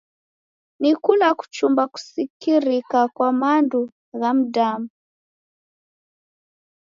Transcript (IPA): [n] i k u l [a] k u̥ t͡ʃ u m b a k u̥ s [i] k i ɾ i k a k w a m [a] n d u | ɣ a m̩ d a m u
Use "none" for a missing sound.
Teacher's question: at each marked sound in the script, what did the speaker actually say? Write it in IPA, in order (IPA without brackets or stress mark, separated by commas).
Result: n, a, i, a